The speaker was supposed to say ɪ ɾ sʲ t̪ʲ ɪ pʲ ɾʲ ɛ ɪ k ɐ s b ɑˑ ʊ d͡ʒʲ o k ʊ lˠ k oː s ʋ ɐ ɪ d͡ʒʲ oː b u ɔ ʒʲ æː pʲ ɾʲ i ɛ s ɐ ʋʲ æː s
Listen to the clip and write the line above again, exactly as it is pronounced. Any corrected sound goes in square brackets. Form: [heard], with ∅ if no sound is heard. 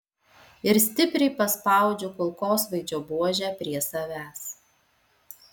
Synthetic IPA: ɪ ɾ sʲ t̪ʲ ɪ pʲ ɾʲ ɛ ɪ [p] ɐ s [p] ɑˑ ʊ d͡ʒʲ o k ʊ lˠ k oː s ʋ ɐ ɪ d͡ʒʲ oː b u ɔ ʒʲ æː pʲ ɾʲ i ɛ s ɐ ʋʲ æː s

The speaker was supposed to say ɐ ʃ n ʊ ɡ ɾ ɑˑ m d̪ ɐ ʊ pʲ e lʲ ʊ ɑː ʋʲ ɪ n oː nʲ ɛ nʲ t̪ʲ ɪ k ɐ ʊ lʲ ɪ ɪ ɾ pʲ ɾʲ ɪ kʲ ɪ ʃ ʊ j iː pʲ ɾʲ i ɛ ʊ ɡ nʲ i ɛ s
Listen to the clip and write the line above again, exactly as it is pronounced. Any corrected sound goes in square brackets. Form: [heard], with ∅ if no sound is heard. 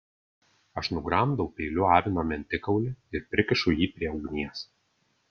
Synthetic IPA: ɐ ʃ n ʊ ɡ ɾ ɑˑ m d̪ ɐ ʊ pʲ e lʲ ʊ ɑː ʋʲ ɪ n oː [mʲ] ɛ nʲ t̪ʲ ɪ k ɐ ʊ lʲ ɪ ɪ ɾ pʲ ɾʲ ɪ kʲ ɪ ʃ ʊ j iː pʲ ɾʲ i ɛ ʊ ɡ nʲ i ɛ s

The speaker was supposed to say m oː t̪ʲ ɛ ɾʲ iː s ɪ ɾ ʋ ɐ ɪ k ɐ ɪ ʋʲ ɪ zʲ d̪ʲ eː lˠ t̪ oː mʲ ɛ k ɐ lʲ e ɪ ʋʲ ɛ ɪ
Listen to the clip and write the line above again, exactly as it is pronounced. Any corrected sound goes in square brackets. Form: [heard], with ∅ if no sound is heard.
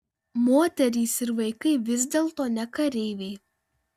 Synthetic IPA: m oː t̪ʲ ɛ ɾʲ iː s ɪ ɾ ʋ ɐ ɪ k ɐ ɪ ʋʲ ɪ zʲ d̪ʲ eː lˠ t̪ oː [nʲ] ɛ k ɐ [ɾʲ] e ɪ ʋʲ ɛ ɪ

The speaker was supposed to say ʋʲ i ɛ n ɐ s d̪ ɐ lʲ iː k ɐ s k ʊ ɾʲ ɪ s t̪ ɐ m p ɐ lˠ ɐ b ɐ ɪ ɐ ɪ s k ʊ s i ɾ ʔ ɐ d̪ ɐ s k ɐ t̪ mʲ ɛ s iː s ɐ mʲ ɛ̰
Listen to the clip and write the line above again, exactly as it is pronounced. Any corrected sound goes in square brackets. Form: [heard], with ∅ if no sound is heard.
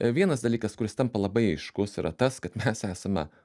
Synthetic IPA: ʋʲ i ɛ n ɐ s d̪ ɐ lʲ iː k ɐ s k ʊ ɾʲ ɪ s t̪ ɐ m p ɐ lˠ ɐ b ɐ ɪ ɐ ɪ [ʃ] k ʊ s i ɾ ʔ ɐ [t̪] ɐ s k ɐ t̪ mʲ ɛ s [æː] s ɐ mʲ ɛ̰

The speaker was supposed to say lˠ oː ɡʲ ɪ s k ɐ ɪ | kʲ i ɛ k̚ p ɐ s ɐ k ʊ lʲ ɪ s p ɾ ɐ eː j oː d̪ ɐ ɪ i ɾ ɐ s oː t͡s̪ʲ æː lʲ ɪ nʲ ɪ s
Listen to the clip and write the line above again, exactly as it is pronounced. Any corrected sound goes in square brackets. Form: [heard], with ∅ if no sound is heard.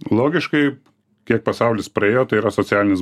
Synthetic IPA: lˠ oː ɡʲ ɪ [ʃ] k ɐ ɪ | kʲ i ɛ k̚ p ɐ s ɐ [∅] ʊ lʲ ɪ s p ɾ ɐ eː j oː [t̪] ɐ ɪ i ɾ ɐ s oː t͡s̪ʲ æː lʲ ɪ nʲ ɪ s

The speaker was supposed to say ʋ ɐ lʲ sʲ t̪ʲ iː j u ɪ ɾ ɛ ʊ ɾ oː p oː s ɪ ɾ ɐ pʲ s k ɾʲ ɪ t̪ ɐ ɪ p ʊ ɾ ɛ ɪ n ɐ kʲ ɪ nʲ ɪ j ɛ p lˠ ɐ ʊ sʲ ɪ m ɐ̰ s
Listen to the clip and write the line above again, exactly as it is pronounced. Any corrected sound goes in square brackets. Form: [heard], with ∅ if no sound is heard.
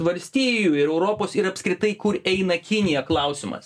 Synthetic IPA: ʋ ɐ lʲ sʲ t̪ʲ iː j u ɪ ɾ ɛ ʊ ɾ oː p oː s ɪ ɾ ɐ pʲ s k ɾʲ ɪ t̪ ɐ ɪ [k] ʊ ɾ ɛ ɪ n ɐ kʲ ɪ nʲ ɪ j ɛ [k] lˠ ɐ ʊ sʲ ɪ m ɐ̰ s

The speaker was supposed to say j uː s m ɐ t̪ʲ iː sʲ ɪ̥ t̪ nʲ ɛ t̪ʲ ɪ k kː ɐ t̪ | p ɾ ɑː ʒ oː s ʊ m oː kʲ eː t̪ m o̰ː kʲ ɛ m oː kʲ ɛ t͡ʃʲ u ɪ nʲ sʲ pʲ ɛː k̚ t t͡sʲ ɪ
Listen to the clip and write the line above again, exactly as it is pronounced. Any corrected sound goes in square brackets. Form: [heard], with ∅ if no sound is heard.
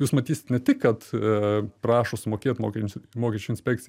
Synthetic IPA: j uː s m ɐ t̪ʲ iː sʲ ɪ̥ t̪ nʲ ɛ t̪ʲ ɪ k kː ɐ t̪ | p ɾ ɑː [ʃ] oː s ʊ m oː kʲ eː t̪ m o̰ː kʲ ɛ m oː kʲ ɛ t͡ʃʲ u ɪ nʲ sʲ pʲ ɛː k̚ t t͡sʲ ɪ

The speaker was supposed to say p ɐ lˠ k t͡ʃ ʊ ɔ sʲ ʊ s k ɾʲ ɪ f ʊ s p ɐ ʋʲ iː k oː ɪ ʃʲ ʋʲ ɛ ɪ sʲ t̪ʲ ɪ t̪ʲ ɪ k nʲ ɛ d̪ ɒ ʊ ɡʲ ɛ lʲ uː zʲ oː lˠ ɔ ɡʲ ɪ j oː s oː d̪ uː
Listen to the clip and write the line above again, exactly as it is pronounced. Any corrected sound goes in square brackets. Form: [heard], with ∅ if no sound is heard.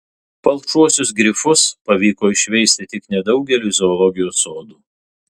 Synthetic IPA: p ɐ lˠ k t͡ʃ [u] ɔ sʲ ʊ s [ɡ] ɾʲ ɪ f ʊ s p ɐ ʋʲ iː k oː ɪ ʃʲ ʋʲ ɛ ɪ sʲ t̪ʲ ɪ t̪ʲ ɪ k nʲ ɛ d̪ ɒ ʊ ɡʲ ɛ lʲ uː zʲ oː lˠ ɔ ɡʲ ɪ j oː s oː d̪ uː

